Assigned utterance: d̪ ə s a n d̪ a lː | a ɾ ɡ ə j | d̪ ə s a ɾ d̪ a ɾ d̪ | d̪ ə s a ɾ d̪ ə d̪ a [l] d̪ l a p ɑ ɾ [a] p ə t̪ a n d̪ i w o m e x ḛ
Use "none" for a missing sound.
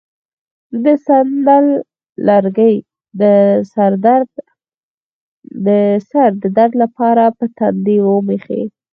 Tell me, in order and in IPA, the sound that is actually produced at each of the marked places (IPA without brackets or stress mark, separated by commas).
ɾ, a